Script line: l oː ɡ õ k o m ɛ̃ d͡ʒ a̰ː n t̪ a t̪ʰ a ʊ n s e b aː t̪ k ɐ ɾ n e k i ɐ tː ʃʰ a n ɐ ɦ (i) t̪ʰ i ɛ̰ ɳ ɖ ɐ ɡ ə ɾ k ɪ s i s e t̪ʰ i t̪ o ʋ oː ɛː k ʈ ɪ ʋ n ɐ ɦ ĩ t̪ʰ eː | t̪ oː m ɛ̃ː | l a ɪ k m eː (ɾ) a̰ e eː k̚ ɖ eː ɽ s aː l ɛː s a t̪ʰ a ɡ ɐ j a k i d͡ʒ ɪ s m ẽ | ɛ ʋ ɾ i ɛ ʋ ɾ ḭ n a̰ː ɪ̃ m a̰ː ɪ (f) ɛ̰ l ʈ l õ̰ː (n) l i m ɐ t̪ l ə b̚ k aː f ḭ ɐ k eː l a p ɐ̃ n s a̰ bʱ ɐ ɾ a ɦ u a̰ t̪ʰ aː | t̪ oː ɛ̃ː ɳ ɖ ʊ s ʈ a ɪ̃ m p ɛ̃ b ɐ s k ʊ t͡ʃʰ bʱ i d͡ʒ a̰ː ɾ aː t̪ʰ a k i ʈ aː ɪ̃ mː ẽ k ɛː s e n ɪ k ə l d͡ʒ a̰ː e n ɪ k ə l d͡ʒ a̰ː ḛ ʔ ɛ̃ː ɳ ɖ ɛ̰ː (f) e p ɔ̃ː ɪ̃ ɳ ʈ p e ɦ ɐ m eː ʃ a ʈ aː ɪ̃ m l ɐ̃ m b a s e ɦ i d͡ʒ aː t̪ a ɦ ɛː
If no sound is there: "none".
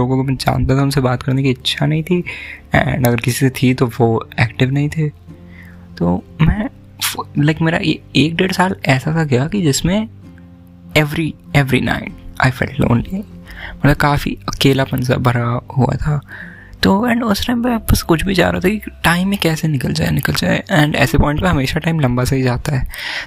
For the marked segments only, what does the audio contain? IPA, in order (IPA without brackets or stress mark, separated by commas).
ĩ, ɾ, f, n, s